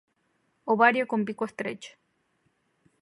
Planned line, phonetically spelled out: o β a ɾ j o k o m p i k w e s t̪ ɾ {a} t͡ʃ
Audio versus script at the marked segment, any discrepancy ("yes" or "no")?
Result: yes